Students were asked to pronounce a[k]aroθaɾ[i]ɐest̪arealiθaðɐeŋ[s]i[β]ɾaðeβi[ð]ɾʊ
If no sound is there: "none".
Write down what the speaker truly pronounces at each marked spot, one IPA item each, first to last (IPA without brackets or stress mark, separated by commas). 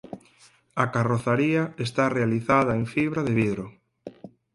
k, i, f, β, ð